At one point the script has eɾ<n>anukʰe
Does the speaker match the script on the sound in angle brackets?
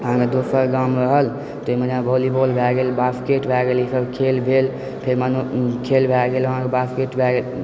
no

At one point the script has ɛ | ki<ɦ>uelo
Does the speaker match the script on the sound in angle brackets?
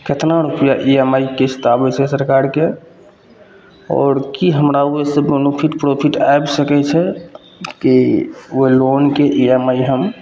no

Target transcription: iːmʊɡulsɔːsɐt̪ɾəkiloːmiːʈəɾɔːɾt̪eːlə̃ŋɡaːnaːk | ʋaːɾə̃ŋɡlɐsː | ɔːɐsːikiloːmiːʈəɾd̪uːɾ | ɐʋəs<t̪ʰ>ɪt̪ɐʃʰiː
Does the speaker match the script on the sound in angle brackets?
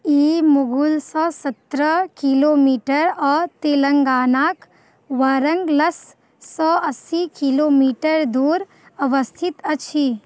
yes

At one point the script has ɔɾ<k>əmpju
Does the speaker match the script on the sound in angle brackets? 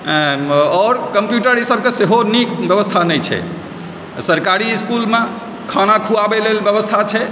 yes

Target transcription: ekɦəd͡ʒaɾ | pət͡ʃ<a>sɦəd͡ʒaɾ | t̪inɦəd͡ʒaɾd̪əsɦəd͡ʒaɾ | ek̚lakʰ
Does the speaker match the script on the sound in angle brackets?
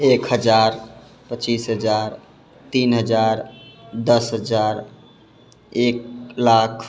no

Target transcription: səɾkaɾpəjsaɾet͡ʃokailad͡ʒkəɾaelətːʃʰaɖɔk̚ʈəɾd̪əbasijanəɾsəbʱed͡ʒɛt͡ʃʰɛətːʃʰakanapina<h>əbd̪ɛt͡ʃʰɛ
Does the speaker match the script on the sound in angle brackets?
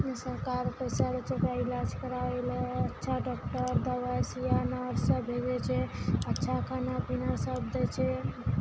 no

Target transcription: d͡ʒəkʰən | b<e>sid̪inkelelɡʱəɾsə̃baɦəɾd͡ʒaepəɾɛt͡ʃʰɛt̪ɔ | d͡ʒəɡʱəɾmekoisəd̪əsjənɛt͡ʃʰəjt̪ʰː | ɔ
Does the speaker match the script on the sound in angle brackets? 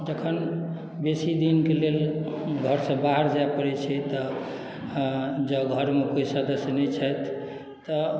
yes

